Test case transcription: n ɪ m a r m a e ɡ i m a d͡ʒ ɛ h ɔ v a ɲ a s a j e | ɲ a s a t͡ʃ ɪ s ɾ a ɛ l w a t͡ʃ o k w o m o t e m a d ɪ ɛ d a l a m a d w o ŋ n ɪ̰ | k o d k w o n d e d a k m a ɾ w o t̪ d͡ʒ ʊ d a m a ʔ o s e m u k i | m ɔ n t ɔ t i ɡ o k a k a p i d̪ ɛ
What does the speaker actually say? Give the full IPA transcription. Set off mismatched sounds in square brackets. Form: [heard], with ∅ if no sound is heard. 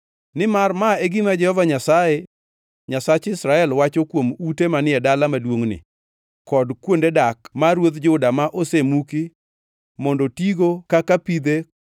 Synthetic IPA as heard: n ɪ m a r m a e ɡ i m a d͡ʒ ɛ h ɔ v a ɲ a s a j e | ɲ a s a t͡ʃ ɪ s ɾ a ɛ l w a t͡ʃ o k w o m [u] t e m a [n] ɪ ɛ d a l a m a d w o ŋ n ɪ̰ | k [ɔ] d k w o n d e d a k m a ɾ w o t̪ d͡ʒ ʊ d a m a ʔ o s e m u k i | m ɔ n [d] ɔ t i ɡ o k a k a p i d̪ [e]